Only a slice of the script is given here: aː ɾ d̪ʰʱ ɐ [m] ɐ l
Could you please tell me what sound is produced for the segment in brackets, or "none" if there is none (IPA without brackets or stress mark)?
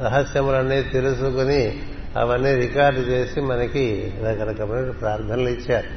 n